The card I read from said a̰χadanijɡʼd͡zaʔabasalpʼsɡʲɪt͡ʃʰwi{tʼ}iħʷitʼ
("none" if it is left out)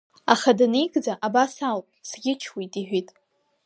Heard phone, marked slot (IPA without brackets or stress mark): tʼ